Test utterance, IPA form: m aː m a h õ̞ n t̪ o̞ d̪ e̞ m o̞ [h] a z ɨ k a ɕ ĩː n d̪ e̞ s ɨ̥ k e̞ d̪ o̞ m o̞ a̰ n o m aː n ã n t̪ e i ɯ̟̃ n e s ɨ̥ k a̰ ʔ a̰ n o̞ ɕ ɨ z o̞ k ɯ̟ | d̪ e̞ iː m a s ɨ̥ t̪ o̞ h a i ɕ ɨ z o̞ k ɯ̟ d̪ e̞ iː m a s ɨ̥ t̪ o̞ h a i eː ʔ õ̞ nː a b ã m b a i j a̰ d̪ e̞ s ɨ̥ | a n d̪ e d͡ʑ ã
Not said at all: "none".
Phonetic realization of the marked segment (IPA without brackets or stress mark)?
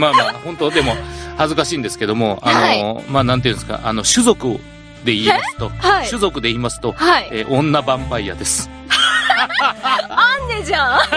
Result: h